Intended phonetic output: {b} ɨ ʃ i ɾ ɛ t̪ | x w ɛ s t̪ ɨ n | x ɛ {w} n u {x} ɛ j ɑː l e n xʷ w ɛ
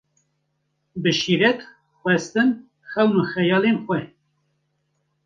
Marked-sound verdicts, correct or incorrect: correct, correct, correct

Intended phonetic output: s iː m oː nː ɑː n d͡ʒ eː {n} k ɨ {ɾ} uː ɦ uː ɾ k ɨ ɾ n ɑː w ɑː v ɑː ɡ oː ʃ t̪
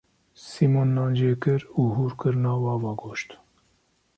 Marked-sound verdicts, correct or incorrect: incorrect: none, correct

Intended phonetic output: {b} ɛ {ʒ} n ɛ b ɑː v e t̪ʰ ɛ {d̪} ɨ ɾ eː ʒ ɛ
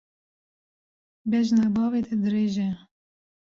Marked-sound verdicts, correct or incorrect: correct, correct, correct

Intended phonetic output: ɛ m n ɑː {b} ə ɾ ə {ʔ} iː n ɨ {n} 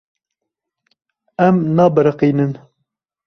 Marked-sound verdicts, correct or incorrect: correct, incorrect: q, correct

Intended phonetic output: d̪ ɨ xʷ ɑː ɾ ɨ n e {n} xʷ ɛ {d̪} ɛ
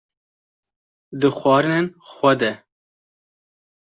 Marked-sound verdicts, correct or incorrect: correct, correct

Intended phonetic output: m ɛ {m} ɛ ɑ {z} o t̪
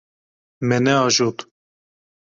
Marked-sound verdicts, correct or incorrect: incorrect: n, incorrect: ʒ

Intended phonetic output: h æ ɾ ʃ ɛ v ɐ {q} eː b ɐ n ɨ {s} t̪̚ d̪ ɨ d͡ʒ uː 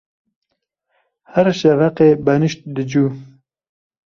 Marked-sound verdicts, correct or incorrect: correct, incorrect: ʃ

